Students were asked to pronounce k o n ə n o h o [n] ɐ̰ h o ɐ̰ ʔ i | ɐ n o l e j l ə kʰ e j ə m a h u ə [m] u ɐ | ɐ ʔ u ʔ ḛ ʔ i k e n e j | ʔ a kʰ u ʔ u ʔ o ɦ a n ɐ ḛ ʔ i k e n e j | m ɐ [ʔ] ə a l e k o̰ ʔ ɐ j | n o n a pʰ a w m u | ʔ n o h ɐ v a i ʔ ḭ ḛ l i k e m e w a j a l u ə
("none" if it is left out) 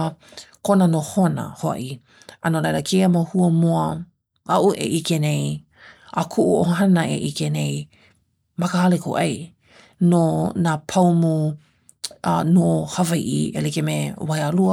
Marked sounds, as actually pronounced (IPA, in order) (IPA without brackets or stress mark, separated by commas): n, m, k